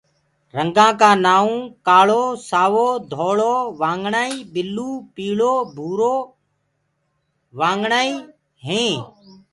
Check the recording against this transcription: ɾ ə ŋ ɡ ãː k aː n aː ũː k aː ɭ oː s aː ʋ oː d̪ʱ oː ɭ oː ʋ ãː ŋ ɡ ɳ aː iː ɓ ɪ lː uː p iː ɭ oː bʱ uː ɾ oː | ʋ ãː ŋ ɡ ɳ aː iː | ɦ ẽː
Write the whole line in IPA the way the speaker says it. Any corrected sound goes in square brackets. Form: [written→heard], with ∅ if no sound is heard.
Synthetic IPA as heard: ɾ ə ŋ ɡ ãː k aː n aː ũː k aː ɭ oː s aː ʋ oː d̪ʱ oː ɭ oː ʋ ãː ŋ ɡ ɳ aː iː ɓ ɪ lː uː p iː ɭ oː bʱ uː ɾ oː | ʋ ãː ŋ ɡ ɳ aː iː | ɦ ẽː